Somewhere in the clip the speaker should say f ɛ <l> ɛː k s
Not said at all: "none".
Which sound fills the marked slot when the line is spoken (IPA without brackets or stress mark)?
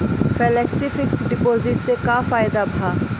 l